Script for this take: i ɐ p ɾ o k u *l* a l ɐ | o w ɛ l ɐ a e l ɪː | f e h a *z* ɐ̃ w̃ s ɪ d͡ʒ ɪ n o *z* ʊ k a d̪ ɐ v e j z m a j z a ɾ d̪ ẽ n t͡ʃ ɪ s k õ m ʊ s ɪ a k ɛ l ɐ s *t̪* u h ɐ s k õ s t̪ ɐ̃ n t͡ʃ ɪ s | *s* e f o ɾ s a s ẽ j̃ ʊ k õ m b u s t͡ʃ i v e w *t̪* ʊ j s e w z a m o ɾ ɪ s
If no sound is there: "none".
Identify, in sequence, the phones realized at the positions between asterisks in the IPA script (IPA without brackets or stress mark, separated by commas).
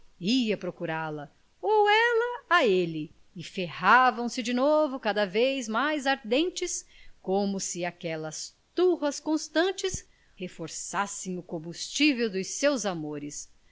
ɾ, v, v, t̪, h, d̪